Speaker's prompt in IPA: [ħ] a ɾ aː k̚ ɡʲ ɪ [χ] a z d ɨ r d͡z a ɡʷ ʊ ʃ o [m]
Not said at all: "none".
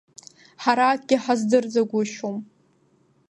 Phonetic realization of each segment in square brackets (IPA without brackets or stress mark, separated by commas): ħ, ħ, m